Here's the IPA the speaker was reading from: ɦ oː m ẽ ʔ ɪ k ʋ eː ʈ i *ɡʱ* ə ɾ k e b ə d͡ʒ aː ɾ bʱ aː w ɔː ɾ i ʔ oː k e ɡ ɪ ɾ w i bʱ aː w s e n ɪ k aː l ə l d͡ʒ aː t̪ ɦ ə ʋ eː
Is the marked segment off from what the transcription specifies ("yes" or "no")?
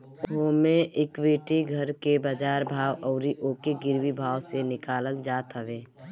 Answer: no